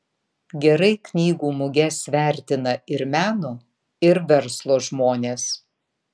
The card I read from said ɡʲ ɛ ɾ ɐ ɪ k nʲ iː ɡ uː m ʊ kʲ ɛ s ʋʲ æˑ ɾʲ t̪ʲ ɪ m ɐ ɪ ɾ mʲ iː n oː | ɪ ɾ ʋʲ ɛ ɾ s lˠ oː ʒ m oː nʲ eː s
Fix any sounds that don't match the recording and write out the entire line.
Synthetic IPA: ɡʲ ɛ ɾ ɐ ɪ k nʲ iː ɡ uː m ʊ ɡʲ ɛ s ʋʲ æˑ ɾʲ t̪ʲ ɪ n ɐ ɪ ɾ mʲ æː n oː | ɪ ɾ ʋʲ ɛ ɾ s lˠ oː ʒ m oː nʲ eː s